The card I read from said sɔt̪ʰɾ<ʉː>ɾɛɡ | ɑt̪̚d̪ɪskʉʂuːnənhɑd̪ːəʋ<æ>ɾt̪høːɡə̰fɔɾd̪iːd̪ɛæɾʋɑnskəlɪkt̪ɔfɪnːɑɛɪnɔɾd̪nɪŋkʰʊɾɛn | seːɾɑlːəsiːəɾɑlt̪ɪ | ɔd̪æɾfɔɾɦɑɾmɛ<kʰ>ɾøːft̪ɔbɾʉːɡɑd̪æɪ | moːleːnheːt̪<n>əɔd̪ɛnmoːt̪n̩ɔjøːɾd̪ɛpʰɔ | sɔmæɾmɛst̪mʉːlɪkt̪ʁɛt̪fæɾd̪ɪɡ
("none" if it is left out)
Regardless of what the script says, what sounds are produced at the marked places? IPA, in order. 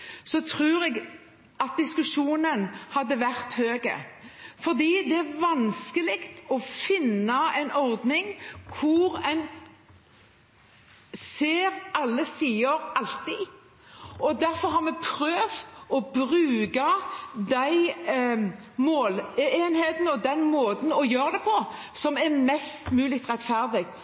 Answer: ʉː, æ, pʰ, n

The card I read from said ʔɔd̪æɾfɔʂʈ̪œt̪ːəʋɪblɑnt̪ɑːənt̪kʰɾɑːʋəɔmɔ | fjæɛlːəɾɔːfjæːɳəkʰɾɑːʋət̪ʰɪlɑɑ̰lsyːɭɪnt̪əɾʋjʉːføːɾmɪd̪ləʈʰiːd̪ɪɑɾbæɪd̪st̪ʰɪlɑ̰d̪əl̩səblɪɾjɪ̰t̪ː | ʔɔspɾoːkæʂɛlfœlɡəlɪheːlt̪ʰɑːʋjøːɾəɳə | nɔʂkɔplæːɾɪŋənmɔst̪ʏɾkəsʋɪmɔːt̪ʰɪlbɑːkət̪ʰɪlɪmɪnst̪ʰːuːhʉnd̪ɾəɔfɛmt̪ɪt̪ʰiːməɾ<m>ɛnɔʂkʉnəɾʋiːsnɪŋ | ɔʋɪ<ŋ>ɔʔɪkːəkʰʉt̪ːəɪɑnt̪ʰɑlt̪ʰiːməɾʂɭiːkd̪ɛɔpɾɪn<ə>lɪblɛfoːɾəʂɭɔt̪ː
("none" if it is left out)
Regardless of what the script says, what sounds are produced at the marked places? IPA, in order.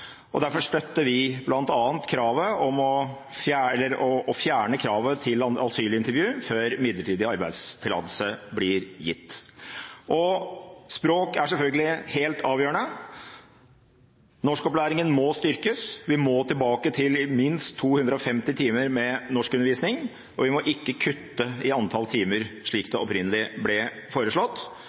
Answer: m, m, ə

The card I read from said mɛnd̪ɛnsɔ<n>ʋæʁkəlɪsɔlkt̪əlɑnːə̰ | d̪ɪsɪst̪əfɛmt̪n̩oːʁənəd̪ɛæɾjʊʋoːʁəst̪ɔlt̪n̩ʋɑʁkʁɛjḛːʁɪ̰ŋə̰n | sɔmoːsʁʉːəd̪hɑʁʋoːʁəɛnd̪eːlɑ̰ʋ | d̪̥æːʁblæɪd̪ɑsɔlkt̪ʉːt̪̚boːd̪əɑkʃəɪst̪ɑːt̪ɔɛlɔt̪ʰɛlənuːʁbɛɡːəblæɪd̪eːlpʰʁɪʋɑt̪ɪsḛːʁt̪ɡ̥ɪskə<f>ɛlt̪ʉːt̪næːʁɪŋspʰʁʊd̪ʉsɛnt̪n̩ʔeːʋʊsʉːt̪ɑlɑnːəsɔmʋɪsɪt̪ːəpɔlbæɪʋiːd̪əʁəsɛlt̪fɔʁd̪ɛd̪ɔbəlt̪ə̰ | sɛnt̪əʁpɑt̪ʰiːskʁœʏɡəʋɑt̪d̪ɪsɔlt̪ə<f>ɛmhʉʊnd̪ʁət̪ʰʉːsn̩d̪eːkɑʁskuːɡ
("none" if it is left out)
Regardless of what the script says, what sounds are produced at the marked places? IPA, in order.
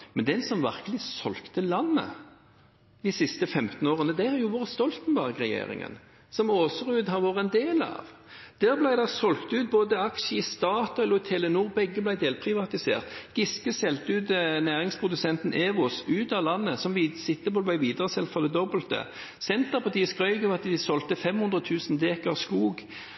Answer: m, s, f

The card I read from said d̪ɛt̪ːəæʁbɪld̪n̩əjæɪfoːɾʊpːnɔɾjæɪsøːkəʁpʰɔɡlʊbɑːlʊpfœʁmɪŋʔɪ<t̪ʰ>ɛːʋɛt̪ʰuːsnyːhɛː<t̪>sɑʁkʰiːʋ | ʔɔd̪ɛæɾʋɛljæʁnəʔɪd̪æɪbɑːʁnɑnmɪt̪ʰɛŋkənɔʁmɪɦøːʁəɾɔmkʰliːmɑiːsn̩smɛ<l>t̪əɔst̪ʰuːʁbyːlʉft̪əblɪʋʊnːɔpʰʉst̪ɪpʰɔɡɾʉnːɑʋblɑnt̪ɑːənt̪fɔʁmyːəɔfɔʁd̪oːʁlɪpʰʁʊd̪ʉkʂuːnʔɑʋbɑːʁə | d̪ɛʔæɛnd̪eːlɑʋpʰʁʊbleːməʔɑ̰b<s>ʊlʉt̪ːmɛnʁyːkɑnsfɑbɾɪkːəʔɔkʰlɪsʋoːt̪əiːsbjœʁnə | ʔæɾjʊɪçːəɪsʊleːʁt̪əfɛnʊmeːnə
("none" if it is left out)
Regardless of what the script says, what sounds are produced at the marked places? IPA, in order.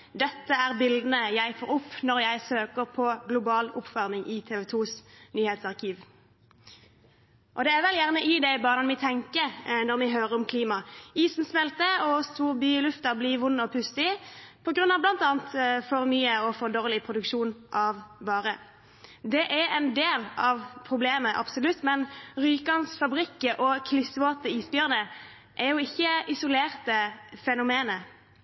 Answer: t̪ʰ, t̪, l, s

